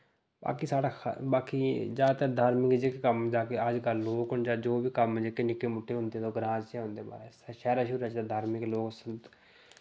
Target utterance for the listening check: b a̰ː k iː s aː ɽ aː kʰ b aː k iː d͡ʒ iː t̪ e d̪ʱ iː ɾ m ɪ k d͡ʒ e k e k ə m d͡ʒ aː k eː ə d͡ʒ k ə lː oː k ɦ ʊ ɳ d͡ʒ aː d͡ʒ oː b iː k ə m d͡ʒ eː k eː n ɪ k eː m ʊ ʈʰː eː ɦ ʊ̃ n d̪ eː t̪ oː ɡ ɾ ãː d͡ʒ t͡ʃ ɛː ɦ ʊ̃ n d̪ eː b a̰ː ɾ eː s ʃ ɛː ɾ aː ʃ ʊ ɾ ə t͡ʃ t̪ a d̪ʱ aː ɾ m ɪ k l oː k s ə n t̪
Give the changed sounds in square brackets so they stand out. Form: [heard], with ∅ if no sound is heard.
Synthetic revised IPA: b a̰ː k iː s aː ɽ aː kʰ b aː k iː d͡ʒ [aː] t̪ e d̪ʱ [aː] ɾ m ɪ k d͡ʒ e k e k ə m d͡ʒ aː k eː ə d͡ʒ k ə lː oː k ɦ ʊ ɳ d͡ʒ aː d͡ʒ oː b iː k ə m d͡ʒ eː k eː n ɪ k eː m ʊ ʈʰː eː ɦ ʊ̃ n d̪ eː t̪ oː ɡ ɾ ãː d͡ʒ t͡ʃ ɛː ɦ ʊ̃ n d̪ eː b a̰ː ɾ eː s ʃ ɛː ɾ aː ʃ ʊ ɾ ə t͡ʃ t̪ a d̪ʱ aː ɾ m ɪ k l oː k s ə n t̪